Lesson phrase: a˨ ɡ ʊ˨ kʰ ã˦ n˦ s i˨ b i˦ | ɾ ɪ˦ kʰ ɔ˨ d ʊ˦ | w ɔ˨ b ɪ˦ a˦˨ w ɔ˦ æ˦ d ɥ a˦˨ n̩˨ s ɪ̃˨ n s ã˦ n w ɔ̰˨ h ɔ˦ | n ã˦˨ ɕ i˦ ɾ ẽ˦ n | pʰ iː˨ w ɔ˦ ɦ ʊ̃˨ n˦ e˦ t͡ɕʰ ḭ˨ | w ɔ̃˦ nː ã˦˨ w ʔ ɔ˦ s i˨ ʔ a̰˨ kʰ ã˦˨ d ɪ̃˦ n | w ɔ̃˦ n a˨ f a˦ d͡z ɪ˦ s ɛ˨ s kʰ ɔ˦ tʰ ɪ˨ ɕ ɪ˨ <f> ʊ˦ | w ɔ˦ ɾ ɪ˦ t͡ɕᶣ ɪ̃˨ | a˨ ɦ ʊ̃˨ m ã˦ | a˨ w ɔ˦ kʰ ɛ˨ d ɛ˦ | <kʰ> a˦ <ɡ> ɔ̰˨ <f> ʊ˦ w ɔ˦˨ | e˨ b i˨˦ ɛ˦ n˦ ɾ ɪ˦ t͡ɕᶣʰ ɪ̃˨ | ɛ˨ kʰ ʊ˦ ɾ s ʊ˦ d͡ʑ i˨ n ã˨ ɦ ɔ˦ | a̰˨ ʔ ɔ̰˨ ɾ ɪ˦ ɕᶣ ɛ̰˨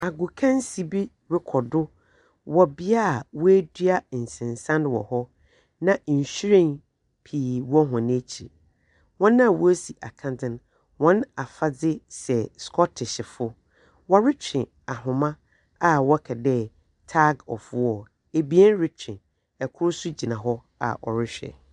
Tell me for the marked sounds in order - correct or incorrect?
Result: correct, incorrect: tʰ, correct, correct

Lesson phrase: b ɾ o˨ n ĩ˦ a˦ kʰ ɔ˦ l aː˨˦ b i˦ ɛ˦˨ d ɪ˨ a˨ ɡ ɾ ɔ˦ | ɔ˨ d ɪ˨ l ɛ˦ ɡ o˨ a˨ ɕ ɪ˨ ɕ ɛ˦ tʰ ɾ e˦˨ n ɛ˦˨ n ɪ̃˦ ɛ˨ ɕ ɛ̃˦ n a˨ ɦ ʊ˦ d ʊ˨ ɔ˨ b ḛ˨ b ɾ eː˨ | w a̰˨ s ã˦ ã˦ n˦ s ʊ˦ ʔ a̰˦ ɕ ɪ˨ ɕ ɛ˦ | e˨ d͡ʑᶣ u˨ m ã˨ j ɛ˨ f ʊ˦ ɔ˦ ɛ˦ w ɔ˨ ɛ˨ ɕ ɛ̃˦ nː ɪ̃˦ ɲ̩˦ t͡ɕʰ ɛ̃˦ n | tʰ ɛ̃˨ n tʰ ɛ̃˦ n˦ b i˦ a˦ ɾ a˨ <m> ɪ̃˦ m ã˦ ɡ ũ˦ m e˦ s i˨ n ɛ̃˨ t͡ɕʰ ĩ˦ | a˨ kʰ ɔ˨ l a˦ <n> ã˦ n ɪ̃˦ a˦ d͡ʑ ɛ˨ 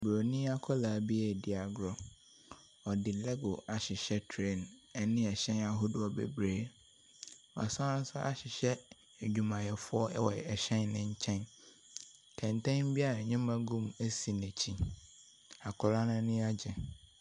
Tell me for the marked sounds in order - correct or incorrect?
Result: incorrect: ɲ, correct

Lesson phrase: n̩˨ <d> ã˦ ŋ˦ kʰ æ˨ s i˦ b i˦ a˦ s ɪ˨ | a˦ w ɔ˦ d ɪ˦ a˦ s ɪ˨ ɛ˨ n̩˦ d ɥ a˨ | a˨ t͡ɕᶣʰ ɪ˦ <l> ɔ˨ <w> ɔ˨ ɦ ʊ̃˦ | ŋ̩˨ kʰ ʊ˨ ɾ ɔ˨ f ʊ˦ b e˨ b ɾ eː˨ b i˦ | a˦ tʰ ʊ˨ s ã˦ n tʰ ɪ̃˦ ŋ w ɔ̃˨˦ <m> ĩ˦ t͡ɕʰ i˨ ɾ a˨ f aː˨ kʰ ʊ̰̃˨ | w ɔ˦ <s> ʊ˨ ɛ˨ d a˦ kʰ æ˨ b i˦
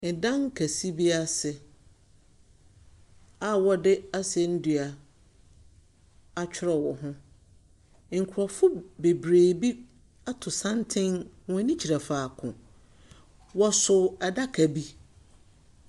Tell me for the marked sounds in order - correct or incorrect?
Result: correct, incorrect: ɾ, correct, incorrect: n, correct

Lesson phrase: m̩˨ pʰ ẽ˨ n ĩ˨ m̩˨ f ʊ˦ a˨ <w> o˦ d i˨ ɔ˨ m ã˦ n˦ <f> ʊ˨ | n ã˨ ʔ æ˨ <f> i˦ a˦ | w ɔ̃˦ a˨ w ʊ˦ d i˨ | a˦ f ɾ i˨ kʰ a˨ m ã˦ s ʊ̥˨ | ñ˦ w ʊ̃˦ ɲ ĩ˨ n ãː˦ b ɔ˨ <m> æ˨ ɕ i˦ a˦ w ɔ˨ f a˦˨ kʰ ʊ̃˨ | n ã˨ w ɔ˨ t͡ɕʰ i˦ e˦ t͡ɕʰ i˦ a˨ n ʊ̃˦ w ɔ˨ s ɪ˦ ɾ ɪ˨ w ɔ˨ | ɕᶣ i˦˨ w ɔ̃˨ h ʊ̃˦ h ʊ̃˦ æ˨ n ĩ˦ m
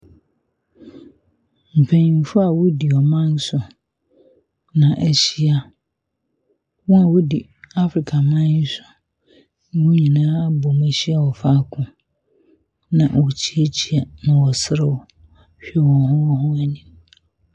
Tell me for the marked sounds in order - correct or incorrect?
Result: correct, incorrect: s, incorrect: ɕ, correct

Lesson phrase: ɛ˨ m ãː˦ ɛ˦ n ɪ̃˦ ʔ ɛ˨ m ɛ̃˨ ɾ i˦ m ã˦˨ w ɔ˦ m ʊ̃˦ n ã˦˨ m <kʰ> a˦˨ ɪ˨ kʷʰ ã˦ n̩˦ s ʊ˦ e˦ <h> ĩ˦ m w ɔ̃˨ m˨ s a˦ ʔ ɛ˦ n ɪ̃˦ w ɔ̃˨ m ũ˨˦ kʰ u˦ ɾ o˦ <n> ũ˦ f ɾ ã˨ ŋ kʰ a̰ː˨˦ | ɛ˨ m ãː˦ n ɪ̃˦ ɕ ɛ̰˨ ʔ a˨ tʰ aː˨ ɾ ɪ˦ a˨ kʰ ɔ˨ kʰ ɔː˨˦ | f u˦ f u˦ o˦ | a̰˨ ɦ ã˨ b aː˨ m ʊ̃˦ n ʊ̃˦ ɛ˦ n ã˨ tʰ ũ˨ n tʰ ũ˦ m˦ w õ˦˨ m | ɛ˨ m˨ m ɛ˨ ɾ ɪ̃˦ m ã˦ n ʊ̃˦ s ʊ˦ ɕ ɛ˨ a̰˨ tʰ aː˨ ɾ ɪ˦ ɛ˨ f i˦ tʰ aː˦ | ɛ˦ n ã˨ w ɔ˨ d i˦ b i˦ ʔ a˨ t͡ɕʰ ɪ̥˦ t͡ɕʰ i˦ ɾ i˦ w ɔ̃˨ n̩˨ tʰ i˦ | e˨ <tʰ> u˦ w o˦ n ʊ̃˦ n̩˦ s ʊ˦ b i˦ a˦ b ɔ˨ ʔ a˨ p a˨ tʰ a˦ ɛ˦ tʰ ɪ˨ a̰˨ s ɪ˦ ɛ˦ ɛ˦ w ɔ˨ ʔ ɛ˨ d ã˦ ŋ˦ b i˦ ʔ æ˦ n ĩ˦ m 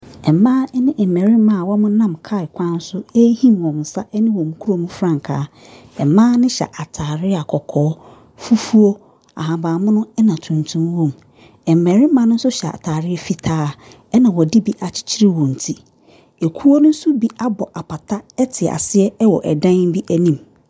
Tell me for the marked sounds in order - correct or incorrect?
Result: correct, correct, incorrect: m, incorrect: kʰ

